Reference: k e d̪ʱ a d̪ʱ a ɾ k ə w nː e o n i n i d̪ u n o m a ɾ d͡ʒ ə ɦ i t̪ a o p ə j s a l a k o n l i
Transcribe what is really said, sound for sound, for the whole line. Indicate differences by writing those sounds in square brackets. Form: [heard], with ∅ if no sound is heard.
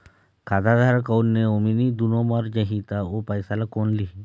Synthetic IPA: k [a] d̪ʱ a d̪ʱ a ɾ k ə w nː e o [m] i n i d̪ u n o m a ɾ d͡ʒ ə ɦ i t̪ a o p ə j s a l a k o n l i